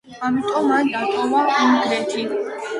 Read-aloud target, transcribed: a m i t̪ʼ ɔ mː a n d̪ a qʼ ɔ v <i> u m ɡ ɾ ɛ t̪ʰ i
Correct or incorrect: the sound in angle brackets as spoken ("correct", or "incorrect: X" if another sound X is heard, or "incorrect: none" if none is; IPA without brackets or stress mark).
incorrect: a